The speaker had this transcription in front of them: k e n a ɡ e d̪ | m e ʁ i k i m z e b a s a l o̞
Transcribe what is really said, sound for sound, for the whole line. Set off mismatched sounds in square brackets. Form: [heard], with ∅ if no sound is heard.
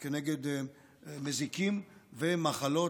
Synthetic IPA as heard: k e n [e] ɡ e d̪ | m e [z] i k i m [v] e [m] a [χ] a l o̞